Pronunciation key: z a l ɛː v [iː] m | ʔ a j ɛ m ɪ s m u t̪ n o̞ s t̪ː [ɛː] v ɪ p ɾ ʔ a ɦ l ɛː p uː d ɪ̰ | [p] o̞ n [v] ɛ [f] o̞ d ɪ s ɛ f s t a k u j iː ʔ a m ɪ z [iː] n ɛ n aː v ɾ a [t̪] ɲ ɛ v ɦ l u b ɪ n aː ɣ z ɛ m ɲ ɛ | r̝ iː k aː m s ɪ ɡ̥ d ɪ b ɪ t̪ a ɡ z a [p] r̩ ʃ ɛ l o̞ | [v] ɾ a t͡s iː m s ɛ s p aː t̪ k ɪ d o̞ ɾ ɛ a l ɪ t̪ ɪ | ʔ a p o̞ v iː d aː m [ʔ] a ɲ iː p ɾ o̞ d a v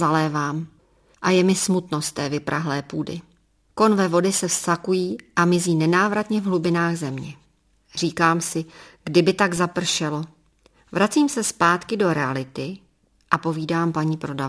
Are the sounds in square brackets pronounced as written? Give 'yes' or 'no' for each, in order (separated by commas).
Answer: no, yes, no, yes, no, yes, yes, yes, yes, no